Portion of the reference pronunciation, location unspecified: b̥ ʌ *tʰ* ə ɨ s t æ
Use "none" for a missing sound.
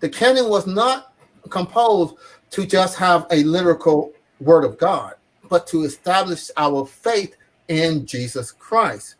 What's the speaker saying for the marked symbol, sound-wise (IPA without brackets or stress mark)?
tʰ